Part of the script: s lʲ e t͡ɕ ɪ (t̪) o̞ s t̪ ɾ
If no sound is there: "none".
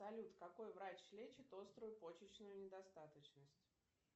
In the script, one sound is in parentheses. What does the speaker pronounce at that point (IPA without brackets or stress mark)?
t̪